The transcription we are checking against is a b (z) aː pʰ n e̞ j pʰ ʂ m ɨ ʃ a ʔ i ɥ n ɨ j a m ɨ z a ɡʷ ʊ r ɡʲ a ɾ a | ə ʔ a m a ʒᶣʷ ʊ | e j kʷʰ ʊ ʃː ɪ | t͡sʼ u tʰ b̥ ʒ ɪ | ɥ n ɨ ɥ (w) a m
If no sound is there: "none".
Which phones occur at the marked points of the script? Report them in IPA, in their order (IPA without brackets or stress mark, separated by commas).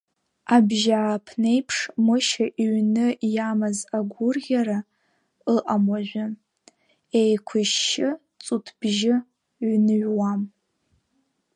ʒ, w